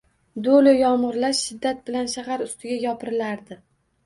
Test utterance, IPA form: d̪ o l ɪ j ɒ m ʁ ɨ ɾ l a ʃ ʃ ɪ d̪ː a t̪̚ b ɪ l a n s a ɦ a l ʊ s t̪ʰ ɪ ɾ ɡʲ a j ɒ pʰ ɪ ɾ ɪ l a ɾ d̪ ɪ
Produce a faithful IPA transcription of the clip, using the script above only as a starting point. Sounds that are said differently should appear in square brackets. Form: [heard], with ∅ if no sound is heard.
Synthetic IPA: d̪ o l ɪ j ɒ m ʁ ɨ ɾ l a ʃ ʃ ɪ d̪ː a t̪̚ b ɪ l a n [ʃ] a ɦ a [ɾ] ʊ s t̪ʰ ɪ [∅] ɡʲ a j ɒ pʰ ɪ ɾ ɪ l a ɾ d̪ ɪ